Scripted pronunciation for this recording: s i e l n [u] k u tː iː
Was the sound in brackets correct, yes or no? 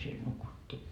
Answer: yes